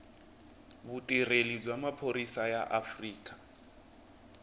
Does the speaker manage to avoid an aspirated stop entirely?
no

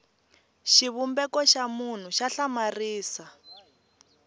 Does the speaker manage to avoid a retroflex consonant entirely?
yes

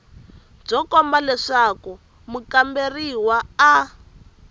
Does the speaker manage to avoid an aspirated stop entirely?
yes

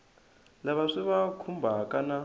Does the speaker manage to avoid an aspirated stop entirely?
no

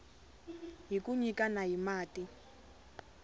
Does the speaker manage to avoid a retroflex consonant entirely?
yes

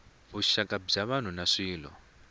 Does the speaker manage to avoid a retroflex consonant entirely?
no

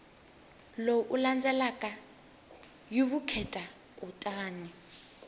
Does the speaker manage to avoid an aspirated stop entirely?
no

